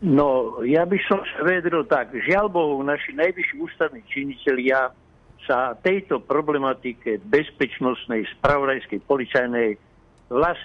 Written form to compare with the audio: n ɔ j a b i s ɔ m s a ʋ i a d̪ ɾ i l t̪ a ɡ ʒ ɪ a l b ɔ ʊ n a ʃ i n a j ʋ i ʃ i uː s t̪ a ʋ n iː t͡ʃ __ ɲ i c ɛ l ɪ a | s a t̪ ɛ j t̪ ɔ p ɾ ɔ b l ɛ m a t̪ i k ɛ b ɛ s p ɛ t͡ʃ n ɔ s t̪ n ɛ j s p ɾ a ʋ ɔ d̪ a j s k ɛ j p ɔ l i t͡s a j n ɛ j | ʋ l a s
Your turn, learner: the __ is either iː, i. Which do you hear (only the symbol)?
i